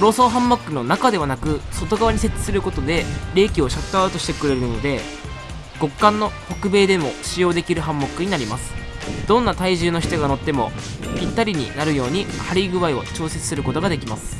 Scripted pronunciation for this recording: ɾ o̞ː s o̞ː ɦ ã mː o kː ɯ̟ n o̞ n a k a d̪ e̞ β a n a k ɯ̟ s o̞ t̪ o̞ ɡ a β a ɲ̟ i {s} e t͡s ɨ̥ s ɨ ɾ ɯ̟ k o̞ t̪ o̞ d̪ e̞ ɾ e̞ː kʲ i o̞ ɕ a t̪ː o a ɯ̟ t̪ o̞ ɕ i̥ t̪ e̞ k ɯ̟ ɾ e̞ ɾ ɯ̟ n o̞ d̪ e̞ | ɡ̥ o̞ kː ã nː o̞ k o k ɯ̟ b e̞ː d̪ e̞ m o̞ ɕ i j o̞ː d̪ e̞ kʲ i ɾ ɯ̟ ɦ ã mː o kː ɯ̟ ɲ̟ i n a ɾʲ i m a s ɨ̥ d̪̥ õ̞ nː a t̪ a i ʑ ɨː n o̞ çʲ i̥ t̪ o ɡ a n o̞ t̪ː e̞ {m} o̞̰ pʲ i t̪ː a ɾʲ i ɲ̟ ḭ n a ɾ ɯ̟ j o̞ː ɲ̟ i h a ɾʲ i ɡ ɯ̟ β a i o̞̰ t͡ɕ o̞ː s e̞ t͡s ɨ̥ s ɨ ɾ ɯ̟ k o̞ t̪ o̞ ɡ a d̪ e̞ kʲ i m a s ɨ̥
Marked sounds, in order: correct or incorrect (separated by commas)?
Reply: correct, correct